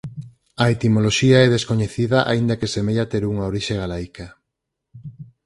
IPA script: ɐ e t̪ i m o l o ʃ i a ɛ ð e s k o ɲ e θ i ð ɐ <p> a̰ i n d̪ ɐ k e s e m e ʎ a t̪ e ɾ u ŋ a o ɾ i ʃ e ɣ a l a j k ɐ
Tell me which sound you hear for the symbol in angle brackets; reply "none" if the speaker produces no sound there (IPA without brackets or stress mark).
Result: ʔ